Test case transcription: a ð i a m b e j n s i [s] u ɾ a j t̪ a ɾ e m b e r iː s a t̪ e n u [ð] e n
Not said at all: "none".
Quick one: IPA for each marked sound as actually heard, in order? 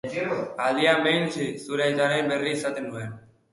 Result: s, none

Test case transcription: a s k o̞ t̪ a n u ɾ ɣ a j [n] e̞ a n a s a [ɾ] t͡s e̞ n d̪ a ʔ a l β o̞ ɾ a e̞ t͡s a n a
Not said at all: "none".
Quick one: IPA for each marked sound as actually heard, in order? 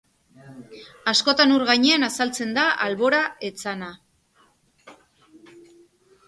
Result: ɲ, l

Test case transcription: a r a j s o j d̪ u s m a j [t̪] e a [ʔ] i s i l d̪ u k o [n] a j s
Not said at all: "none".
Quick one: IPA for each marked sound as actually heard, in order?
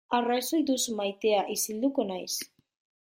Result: t̪, ʔ, n

